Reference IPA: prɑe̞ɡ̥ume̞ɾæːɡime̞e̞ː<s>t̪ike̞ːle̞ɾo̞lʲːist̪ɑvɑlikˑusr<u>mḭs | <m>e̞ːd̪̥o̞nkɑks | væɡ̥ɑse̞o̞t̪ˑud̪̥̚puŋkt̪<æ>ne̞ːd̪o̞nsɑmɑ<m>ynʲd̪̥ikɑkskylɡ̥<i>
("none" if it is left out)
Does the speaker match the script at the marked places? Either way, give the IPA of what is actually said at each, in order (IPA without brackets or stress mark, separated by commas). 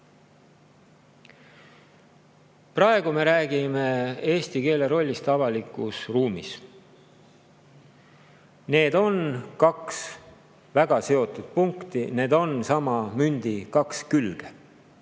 s, uː, n, i, m, e